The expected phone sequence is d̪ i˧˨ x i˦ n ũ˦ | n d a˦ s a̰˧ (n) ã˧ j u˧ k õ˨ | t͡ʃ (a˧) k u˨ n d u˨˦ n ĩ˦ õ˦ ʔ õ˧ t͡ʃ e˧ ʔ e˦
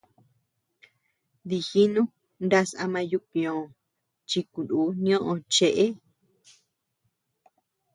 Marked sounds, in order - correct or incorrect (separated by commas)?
incorrect, incorrect